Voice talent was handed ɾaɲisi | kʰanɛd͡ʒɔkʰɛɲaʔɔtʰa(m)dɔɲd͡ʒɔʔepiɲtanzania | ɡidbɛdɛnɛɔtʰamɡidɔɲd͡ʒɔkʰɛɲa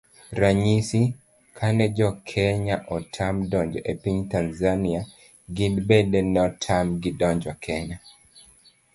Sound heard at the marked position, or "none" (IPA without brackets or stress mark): m